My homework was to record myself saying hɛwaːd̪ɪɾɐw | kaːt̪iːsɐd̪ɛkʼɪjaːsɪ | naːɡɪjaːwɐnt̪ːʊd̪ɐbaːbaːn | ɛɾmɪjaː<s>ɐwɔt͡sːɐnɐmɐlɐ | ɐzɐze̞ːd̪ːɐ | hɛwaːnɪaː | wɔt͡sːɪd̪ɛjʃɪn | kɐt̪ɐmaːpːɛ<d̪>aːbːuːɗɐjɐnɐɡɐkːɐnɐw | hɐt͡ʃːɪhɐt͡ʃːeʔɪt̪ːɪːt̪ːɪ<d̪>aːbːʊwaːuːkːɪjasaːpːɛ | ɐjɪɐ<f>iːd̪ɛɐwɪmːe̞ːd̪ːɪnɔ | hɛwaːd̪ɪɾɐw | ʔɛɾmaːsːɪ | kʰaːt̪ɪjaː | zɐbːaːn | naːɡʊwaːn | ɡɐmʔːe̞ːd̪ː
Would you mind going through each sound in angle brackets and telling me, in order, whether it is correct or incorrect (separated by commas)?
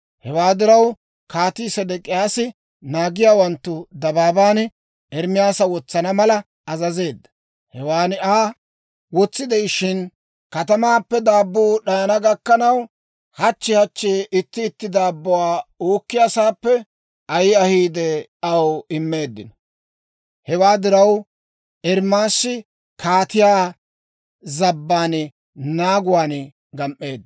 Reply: correct, correct, correct, incorrect